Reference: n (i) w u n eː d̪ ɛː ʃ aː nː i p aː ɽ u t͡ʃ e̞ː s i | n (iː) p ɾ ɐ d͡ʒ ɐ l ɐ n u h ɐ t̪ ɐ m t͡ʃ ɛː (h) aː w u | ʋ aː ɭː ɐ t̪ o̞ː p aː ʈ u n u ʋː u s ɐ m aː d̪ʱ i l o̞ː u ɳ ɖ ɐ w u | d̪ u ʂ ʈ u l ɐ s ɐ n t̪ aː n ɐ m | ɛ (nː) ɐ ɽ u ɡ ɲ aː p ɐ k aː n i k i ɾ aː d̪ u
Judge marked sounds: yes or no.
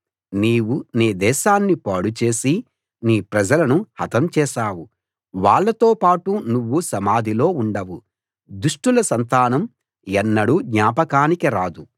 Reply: no, yes, no, yes

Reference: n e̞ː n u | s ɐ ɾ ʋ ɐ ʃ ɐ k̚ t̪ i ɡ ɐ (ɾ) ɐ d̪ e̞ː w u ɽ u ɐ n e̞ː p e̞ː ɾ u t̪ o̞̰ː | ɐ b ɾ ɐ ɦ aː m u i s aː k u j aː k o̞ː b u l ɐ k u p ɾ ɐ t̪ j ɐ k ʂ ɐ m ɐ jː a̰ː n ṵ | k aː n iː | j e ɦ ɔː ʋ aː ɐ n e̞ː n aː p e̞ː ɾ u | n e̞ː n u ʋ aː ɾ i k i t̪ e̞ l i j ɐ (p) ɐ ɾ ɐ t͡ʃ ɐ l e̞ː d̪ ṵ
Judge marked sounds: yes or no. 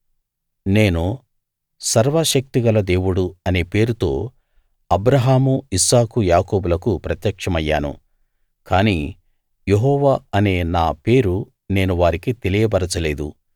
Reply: no, no

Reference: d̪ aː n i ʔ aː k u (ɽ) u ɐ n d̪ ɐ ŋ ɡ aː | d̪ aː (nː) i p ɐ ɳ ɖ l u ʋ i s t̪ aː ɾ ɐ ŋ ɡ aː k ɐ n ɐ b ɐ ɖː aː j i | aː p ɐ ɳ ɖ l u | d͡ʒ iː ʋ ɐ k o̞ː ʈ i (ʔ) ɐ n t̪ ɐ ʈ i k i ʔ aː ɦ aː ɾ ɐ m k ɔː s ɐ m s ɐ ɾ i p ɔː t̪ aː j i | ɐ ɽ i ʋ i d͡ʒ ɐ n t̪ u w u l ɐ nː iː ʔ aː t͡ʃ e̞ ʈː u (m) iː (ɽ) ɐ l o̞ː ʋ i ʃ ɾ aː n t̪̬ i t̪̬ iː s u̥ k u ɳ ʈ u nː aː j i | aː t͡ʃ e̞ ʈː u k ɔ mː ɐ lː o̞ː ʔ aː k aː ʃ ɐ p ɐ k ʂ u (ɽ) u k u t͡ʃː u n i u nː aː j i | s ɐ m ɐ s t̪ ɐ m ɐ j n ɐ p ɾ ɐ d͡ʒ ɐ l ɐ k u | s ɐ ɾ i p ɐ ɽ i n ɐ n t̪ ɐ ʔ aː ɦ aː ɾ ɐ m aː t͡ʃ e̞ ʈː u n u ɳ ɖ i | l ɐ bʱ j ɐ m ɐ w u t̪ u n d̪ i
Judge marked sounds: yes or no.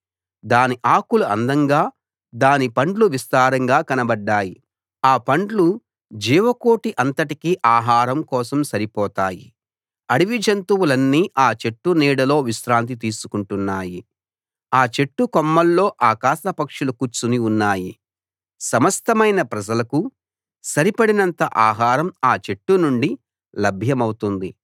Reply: no, no, yes, no, yes, no

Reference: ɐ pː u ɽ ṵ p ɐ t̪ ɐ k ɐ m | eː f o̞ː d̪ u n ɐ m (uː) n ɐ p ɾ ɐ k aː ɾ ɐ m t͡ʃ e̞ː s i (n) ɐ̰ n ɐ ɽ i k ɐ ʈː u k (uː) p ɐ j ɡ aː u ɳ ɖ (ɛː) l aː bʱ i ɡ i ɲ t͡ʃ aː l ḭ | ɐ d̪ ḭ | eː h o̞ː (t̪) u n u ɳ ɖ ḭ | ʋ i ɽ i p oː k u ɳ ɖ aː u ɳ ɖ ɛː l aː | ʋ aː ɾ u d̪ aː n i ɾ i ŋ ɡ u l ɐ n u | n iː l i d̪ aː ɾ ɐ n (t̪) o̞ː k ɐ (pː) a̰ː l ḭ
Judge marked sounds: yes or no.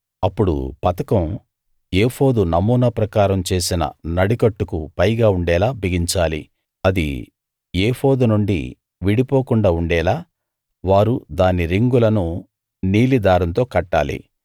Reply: yes, yes, no, yes, no, yes, no

